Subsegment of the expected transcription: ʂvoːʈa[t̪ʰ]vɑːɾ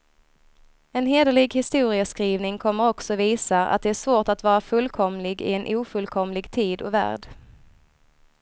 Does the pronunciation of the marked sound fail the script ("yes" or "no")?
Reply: yes